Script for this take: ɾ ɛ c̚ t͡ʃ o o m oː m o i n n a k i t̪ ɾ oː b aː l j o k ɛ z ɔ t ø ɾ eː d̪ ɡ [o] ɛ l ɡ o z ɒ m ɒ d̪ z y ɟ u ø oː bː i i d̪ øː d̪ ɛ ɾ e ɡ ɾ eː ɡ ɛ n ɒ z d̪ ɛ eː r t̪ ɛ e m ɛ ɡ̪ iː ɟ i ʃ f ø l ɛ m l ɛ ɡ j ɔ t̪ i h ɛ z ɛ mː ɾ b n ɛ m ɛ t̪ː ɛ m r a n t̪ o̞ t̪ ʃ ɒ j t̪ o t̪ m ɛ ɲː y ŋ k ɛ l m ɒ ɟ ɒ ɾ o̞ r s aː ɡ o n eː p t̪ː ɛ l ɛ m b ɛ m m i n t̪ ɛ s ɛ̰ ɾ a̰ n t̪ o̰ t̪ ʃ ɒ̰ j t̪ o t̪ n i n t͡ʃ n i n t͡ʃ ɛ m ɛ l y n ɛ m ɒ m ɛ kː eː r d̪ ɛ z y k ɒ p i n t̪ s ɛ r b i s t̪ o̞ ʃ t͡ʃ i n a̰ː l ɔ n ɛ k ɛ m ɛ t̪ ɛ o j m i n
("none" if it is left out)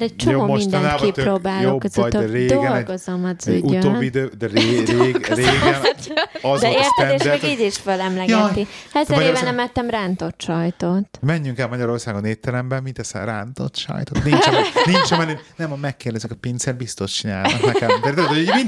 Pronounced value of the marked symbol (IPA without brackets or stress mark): o